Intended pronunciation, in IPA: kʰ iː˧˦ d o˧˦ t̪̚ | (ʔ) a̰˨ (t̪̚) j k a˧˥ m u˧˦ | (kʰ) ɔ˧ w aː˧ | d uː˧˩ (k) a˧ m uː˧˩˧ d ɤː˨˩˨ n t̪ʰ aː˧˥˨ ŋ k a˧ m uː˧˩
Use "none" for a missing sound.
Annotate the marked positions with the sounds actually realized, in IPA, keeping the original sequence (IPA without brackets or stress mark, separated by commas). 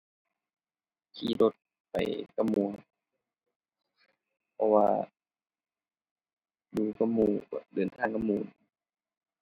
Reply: p, none, pʰ, k